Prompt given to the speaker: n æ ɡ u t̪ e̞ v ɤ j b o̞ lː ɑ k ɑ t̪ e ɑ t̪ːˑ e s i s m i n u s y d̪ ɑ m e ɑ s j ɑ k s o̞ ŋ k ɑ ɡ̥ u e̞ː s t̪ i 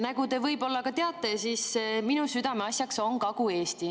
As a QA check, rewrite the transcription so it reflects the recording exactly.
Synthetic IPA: n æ ɡ u t̪ e̞ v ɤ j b o̞ lː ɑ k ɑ t̪ e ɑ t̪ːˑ e s i s m i n u s y d̪ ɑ m e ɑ s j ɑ k s o̞ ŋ k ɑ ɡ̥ u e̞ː s t̪ i